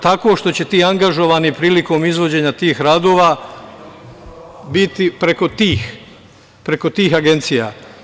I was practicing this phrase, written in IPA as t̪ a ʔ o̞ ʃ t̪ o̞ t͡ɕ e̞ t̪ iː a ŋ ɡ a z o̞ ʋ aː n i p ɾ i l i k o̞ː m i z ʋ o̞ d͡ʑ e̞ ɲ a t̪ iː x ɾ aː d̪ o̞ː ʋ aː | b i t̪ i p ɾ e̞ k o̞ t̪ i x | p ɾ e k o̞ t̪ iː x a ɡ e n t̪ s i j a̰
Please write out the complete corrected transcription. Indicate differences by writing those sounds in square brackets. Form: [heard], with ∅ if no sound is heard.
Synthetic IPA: t̪ a [k] o̞ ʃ t̪ o̞ t͡ɕ e̞ t̪ iː a ŋ ɡ a [ʒ] o̞ ʋ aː n i p ɾ [iː] l i k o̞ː m i z ʋ o̞ d͡ʑ e̞ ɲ a t̪ iː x ɾ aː d̪ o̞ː ʋ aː | b i t̪ i p ɾ e̞ k o̞ t̪ [iː] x | p ɾ e k o̞ t̪ iː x a ɡ e n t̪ s i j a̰

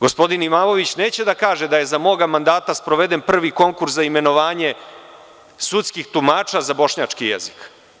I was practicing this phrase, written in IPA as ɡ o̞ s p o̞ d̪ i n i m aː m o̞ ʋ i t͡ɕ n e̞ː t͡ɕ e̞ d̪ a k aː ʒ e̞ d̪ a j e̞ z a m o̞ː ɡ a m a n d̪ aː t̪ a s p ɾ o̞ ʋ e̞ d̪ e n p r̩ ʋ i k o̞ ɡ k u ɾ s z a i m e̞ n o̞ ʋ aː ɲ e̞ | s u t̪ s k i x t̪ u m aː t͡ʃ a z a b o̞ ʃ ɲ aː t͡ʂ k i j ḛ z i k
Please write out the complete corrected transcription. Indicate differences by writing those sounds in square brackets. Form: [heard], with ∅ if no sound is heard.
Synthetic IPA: ɡ o̞ s p o̞ d̪ i n i m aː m o̞ ʋ i t͡ɕ n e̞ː t͡ɕ e̞ d̪ a k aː ʒ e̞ d̪ a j e̞ z a m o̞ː ɡ a m a n d̪ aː t̪ a s p ɾ o̞ ʋ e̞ d̪ e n p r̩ ʋ i k o̞ [ŋ] k u ɾ s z a i m e̞ n o̞ ʋ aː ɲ e̞ | s u t̪ s k i x t̪ u m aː t͡ʃ a z a b o̞ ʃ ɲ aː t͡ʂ k i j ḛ z i k

